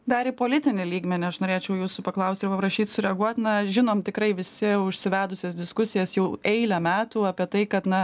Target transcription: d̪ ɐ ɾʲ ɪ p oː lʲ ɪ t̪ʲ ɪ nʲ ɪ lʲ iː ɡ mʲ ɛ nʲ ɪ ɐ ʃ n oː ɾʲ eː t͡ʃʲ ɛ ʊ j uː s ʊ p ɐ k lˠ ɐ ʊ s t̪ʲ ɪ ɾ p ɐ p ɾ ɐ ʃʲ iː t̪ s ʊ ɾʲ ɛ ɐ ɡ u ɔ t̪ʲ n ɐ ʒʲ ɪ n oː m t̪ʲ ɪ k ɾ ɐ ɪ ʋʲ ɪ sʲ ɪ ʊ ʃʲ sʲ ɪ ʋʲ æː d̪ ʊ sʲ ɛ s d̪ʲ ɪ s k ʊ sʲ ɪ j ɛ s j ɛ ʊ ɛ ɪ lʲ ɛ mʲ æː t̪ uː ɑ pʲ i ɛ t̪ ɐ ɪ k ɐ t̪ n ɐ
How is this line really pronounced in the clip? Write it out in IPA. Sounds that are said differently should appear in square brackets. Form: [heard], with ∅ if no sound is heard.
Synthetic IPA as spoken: d̪ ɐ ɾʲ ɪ p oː lʲ ɪ t̪ʲ ɪ nʲ ɪ lʲ iː ɡ mʲ ɛ nʲ ɪ ɐ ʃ n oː ɾʲ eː t͡ʃʲ ɛ ʊ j uː s ʊ p ɐ k lˠ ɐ ʊ s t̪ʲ ɪ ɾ p ɐ p ɾ ɐ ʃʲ iː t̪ s ʊ ɾʲ ɛ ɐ ɡ u ɔ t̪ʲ n ɐ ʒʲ ɪ n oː m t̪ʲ ɪ k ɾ ɐ ɪ ʋʲ ɪ sʲ ɪ ʊ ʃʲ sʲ ɪ ʋʲ æː d̪ ʊ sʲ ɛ s d̪ʲ ɪ s k ʊ sʲ ɪ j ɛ s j ɛ ʊ ɛ ɪ lʲ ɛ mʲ æː t̪ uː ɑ pʲ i ɛ t̪ ɐ ɪ k ɐ t̪ n ɐ